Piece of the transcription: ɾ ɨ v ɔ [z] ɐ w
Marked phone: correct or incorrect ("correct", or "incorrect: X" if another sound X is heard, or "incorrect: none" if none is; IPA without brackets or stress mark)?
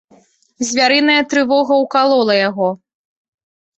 incorrect: ɣ